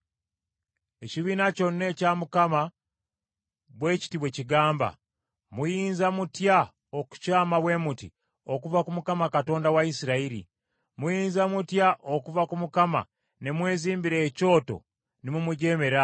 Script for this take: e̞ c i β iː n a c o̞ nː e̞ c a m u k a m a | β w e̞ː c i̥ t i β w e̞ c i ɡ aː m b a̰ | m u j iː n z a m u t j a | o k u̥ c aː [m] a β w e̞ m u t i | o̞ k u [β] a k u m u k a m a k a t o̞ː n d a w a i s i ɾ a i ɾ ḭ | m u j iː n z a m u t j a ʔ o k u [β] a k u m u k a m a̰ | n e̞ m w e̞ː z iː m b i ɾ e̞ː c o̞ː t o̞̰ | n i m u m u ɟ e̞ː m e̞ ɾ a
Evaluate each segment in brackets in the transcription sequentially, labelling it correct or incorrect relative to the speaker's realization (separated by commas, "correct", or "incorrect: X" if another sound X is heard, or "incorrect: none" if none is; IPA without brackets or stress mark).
correct, incorrect: v, incorrect: v